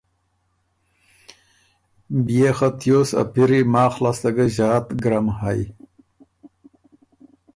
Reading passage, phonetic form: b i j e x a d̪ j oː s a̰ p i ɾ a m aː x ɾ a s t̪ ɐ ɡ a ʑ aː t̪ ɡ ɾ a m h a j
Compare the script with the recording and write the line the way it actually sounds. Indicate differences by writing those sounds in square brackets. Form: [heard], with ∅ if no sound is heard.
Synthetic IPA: b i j e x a [t̪] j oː s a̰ p i ɾ [i] m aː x [l] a s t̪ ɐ ɡ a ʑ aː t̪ ɡ ɾ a m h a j